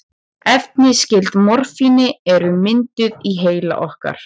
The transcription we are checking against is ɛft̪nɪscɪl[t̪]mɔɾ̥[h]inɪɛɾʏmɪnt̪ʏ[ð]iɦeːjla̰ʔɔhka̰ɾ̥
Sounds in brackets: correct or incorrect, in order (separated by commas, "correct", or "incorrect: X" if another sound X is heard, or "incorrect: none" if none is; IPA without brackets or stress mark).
correct, incorrect: f, correct